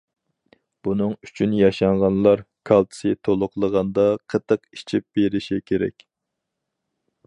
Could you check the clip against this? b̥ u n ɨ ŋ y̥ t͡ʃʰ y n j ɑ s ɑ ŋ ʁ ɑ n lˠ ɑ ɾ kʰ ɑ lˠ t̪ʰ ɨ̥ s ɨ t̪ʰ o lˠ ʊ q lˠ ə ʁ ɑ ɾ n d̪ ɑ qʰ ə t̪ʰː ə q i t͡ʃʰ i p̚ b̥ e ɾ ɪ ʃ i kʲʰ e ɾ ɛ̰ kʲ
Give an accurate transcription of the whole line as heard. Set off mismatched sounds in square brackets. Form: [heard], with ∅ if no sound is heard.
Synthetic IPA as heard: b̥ u n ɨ ŋ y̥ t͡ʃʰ y n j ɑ [ʃ] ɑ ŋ ʁ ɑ n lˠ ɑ ɾ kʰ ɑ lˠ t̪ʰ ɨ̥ s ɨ t̪ʰ o lˠ ʊ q lˠ ə ʁ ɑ [∅] n d̪ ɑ qʰ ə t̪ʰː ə q i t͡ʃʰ i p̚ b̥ e ɾ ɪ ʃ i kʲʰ e ɾ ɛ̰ kʲ